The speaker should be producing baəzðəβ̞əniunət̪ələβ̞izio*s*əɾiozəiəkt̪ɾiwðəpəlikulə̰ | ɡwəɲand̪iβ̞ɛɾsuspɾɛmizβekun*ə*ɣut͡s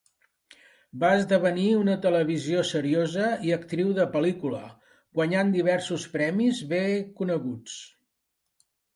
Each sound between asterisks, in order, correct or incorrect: correct, correct

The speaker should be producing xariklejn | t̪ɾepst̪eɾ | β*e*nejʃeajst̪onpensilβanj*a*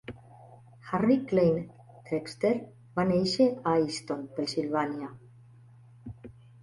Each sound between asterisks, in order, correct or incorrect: incorrect, correct

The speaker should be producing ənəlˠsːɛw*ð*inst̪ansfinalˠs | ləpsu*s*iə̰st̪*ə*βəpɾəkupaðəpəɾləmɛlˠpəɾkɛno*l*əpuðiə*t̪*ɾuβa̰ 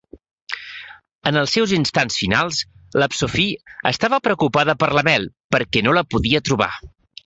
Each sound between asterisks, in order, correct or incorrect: incorrect, incorrect, incorrect, correct, correct

